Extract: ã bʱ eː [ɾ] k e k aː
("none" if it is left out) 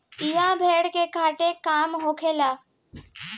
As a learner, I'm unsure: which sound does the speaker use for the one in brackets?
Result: ɽ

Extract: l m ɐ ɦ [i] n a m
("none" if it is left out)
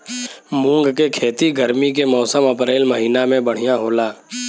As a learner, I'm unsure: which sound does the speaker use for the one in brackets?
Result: iː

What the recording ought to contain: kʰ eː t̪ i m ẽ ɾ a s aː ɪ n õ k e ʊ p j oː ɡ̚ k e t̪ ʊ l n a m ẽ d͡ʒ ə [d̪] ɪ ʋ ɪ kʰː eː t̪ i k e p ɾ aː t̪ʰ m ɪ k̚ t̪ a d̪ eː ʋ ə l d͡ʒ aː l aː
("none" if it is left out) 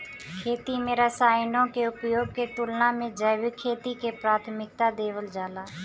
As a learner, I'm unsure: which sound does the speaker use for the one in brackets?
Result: none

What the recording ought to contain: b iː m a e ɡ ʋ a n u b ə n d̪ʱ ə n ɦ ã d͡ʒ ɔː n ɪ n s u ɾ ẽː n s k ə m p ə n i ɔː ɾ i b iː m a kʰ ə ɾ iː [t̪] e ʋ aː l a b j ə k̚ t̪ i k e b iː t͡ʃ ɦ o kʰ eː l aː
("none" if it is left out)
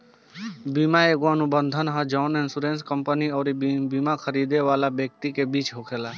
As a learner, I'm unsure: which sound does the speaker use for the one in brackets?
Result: d̪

